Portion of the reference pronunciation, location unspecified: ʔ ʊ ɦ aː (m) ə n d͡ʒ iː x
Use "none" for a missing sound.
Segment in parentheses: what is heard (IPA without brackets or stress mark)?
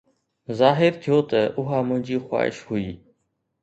m